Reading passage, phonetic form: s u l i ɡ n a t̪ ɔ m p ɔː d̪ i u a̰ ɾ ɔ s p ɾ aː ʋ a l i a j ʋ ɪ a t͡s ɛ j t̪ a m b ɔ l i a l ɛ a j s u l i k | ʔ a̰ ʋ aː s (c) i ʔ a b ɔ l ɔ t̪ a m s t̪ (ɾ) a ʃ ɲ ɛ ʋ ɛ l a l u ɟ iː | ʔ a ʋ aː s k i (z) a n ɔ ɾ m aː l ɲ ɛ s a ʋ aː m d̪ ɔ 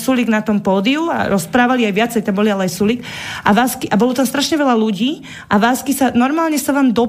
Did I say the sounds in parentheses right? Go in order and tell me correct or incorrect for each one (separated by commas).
incorrect, correct, incorrect